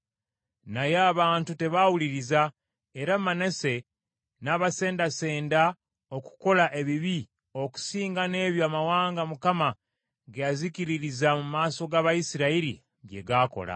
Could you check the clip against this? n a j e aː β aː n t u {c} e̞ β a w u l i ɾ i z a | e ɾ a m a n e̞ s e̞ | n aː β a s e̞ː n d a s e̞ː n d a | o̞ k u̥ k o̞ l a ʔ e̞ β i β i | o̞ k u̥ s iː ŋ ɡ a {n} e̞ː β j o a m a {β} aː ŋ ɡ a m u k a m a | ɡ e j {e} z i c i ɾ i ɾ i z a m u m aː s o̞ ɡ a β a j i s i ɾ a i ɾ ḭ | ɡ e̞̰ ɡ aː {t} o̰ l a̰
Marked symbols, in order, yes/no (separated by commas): no, yes, no, no, no